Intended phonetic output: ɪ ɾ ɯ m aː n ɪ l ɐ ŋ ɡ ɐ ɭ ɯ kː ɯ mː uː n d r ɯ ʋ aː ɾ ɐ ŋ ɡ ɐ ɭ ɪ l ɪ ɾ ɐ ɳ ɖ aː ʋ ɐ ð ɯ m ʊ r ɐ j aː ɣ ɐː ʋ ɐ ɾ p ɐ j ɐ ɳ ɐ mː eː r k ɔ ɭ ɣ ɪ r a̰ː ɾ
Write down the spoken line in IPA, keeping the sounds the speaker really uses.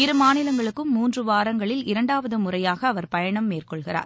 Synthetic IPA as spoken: ɪ ɾ ɯ m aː n ɪ l ɐ ŋ ɡ ɐ ɭ ɯ kː ɯ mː uː n d r ɯ ʋ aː ɾ ɐ ŋ ɡ ɐ ɭ ɪ l ɪ ɾ ɐ ɳ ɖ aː ʋ ɐ ð ɯ m ʊ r ɐ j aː ɣ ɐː ʋ ɐ ɾ p ɐ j ɐ ɳ ɐ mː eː r k ɔ ɭ ɣ ɪ r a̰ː ɾ